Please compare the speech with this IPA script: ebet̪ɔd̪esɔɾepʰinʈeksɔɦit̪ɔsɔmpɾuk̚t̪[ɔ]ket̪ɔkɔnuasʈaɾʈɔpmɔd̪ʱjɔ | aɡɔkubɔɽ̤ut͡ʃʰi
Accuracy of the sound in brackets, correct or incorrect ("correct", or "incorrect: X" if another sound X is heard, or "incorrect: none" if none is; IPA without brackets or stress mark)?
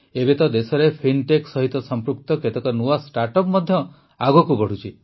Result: correct